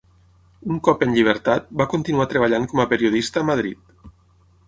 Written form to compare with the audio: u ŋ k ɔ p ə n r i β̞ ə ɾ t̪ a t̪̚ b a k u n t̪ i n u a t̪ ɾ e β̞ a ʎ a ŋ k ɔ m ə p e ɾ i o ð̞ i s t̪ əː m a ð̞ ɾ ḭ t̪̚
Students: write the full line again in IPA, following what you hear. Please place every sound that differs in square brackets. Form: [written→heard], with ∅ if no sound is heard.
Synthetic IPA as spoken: u ŋ k ɔ p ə n [r→ʎ] i β̞ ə ɾ t̪ a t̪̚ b a k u n t̪ i n u a t̪ ɾ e β̞ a ʎ a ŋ k ɔ m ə p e ɾ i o ð̞ i s t̪ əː m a ð̞ ɾ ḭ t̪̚